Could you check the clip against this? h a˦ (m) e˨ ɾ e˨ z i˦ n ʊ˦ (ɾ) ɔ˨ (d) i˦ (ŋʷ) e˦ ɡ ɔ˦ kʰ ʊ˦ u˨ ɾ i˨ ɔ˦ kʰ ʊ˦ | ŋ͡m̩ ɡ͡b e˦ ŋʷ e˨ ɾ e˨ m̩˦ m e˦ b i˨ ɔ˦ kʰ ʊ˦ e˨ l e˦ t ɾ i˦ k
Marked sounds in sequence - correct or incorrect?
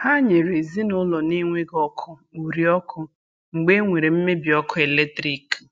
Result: incorrect: ɲ, incorrect: l, incorrect: n, correct

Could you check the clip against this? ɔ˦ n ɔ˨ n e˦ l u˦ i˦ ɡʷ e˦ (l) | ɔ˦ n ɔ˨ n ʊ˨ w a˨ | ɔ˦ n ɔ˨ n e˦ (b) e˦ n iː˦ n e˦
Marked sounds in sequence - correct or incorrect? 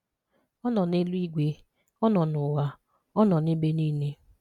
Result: incorrect: none, correct

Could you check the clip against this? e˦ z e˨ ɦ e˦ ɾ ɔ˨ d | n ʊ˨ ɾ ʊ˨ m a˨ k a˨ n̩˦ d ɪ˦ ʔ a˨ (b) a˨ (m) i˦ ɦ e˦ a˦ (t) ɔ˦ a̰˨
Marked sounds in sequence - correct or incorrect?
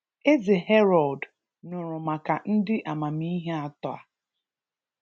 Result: incorrect: m, correct, correct

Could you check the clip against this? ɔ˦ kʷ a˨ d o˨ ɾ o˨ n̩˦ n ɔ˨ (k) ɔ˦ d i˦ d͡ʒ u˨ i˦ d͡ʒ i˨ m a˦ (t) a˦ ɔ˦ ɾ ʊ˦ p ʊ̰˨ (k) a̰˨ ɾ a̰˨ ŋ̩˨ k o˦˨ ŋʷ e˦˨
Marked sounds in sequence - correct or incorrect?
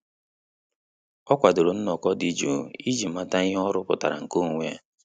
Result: correct, correct, incorrect: t

